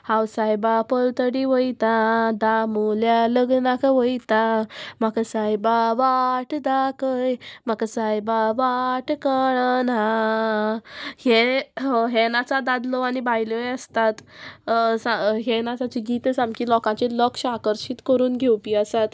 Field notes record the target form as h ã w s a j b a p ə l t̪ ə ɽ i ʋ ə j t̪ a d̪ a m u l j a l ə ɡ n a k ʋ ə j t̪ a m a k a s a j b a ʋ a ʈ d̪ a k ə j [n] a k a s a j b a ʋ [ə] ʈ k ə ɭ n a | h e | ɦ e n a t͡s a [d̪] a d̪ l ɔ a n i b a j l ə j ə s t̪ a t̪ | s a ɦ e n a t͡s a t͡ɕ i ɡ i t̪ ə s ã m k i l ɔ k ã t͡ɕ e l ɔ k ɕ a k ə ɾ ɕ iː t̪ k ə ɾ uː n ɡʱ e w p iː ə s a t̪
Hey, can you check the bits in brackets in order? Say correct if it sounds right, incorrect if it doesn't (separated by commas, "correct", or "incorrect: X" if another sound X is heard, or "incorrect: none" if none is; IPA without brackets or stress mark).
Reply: incorrect: m, incorrect: a, correct